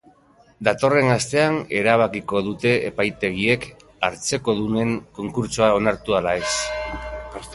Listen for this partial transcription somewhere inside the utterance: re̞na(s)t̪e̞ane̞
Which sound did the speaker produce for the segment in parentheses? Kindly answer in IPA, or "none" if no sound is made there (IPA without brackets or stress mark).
s